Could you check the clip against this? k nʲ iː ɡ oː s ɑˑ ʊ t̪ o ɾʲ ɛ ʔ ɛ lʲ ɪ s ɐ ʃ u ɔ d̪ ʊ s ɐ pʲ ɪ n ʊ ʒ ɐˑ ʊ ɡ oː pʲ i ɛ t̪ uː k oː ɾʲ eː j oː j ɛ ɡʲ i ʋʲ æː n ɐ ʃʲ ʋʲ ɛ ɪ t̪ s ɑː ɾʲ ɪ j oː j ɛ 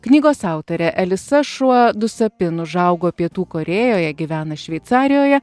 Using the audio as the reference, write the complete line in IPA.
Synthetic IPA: k nʲ iː ɡ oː s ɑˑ ʊ t̪ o ɾʲ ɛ ʔ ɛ lʲ ɪ s ɐ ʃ u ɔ d̪ ʊ s ɐ pʲ ɪ n ʊ ʒ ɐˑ ʊ ɡ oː pʲ i ɛ t̪ uː k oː ɾʲ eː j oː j ɛ ɡʲ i ʋʲ æː n ɐ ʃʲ ʋʲ ɛ ɪ t̪ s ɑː ɾʲ ɪ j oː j ɛ